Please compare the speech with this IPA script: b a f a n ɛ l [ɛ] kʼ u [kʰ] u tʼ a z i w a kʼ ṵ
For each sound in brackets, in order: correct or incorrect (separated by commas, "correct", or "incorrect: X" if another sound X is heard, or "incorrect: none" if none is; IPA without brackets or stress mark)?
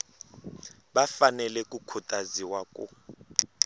correct, correct